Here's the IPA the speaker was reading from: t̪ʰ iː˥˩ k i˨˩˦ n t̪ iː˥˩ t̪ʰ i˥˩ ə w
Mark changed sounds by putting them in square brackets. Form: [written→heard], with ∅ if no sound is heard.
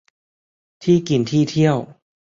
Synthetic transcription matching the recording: t̪ʰ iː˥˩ k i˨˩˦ n [t̪→t̪ʰ] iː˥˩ t̪ʰ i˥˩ ə w